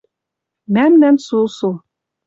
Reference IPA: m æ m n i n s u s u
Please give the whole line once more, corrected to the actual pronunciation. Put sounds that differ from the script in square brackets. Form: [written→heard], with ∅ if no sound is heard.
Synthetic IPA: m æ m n [i→æ] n s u s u